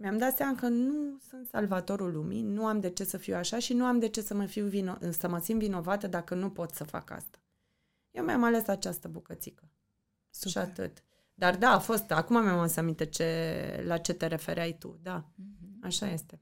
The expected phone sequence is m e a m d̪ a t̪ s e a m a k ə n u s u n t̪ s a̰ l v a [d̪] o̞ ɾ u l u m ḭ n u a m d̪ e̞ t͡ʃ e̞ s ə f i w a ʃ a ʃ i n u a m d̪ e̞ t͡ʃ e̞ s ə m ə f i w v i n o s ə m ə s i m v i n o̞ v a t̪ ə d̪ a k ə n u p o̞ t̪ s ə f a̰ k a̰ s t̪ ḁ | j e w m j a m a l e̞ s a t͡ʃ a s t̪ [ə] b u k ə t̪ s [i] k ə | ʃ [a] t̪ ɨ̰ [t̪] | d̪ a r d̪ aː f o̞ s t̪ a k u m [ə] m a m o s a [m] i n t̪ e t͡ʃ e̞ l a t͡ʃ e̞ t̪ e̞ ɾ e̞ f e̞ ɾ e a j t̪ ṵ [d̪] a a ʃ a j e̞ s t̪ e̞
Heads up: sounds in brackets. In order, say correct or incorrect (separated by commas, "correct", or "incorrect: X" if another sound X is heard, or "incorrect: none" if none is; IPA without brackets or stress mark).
incorrect: t̪, correct, correct, correct, correct, incorrect: a, correct, correct